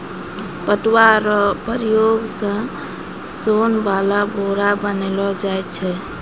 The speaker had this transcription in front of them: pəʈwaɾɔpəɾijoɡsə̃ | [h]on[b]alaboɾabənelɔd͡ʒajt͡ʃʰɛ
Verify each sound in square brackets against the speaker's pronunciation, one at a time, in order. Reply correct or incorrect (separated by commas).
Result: incorrect, correct